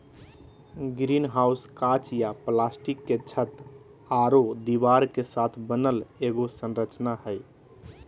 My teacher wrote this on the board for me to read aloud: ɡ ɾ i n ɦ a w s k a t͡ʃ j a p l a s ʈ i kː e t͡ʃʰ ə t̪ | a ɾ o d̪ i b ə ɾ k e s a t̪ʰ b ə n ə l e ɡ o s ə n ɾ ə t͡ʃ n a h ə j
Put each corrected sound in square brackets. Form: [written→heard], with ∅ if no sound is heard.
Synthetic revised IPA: ɡ ɾ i n ɦ a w s k a t͡ʃ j a p l a s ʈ i kː e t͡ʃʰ ə t̪ | a ɾ o d̪ i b [ə→a] ɾ k e s a t̪ʰ b ə n ə l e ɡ o s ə n ɾ ə t͡ʃ n a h ə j